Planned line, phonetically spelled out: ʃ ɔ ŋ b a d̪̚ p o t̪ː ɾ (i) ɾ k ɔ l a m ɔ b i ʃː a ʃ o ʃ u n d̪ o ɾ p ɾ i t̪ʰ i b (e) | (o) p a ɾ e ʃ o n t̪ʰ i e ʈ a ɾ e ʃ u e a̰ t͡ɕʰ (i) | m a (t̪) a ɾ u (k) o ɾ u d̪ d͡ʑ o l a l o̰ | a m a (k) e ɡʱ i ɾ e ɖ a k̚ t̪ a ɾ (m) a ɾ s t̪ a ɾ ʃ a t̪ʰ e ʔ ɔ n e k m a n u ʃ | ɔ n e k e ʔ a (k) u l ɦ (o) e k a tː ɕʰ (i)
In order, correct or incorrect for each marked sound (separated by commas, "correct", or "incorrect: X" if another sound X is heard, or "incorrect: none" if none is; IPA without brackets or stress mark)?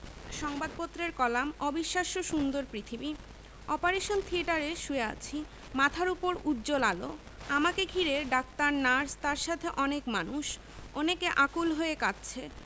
incorrect: e, incorrect: i, incorrect: ɔ, correct, incorrect: t̪ʰ, incorrect: p, correct, incorrect: n, correct, correct, incorrect: e